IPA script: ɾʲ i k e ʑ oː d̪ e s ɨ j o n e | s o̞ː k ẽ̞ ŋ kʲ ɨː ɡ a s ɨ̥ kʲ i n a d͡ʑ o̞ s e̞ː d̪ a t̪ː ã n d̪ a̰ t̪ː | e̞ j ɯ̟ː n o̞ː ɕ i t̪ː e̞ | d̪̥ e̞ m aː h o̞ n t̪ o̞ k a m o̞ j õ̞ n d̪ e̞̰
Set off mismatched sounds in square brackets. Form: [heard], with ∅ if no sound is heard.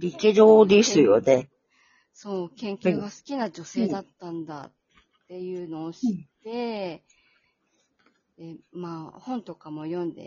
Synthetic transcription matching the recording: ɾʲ i k e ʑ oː d̪ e s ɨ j o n e | s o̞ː k ẽ̞ ŋ kʲ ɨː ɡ a s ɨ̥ kʲ i n a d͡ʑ o̞ s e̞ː d̪ a t̪ː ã n d̪ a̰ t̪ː | e̞ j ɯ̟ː n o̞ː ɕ i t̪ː e̞ | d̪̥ e̞ m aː h [õ̞] n t̪ o̞ k a m o̞ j õ̞ n d̪ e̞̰